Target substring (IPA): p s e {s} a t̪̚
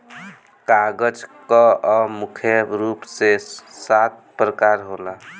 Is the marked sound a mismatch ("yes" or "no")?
no